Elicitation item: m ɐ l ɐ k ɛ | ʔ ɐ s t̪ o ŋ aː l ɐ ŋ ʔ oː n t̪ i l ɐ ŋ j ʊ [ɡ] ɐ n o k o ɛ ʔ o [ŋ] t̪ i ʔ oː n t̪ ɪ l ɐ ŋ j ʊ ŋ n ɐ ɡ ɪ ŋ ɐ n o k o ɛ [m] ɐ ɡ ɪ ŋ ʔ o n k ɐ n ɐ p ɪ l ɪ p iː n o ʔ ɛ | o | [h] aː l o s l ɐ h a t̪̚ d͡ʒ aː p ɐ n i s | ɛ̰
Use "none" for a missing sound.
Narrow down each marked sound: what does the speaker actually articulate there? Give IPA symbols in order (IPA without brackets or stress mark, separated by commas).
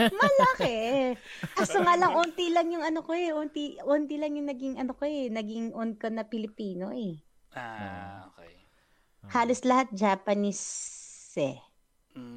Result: ŋ, n, n, h